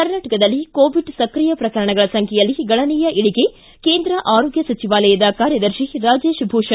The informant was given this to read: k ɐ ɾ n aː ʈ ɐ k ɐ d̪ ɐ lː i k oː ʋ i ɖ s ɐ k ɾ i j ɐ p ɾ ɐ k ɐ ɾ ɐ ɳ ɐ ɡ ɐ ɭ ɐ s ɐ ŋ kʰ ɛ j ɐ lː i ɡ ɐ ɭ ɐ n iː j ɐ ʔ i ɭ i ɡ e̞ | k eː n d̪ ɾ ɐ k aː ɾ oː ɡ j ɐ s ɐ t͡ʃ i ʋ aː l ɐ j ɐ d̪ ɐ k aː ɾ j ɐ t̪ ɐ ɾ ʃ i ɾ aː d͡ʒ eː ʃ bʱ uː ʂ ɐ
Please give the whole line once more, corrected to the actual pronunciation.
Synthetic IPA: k ɐ ɾ n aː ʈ ɐ k ɐ d̪ ɐ lː i k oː ʋ i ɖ s ɐ k ɾ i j ɐ p ɾ ɐ k ɐ ɾ ɐ ɳ ɐ ɡ ɐ ɭ ɐ s ɐ ŋ kʰ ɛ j ɐ lː i ɡ ɐ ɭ ɐ n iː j ɐ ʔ i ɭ i ɡ e̞ | k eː n d̪ ɾ ɐ ʔ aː ɾ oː ɡ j ɐ s ɐ t͡ʃ i ʋ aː l ɐ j ɐ d̪ ɐ k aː ɾ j ɐ d̪ ɐ ɾ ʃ i ɾ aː d͡ʒ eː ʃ bʱ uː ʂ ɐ